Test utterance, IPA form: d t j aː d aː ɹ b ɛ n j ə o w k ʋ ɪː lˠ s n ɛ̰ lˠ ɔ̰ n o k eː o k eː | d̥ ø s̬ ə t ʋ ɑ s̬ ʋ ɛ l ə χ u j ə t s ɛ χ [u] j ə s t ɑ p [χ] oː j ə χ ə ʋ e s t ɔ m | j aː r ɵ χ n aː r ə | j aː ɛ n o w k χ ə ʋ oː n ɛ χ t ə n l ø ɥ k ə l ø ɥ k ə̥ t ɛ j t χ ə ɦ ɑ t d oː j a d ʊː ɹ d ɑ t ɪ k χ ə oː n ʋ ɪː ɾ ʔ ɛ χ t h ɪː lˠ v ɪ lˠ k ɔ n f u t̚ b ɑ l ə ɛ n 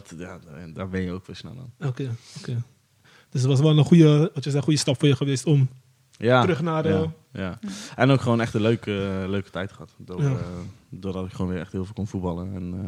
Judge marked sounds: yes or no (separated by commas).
yes, no